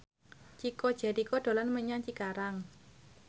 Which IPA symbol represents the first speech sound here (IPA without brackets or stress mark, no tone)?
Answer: t͡ʃ